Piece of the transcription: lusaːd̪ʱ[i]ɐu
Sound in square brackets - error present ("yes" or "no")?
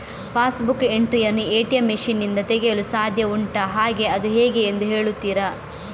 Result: yes